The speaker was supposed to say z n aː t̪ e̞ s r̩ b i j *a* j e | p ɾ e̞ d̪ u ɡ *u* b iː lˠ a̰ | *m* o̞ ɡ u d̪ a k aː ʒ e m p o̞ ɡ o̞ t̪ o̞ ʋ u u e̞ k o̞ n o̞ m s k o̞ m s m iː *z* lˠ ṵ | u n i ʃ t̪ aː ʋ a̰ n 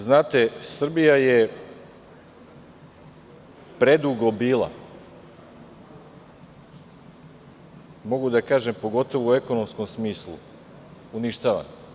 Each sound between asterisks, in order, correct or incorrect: correct, incorrect, correct, incorrect

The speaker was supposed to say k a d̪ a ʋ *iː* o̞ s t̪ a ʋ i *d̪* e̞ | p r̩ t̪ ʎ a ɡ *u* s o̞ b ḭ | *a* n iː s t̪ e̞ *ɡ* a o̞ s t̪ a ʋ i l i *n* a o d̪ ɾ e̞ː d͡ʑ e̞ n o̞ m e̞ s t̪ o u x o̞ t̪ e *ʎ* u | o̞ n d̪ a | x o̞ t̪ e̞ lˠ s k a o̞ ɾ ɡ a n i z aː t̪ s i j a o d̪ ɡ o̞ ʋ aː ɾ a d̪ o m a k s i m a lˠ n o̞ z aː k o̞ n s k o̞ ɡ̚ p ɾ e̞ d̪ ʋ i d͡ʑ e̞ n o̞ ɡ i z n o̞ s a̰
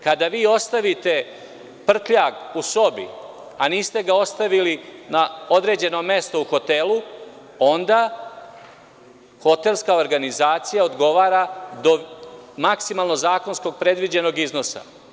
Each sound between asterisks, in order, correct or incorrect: correct, incorrect, correct, correct, correct, correct, incorrect

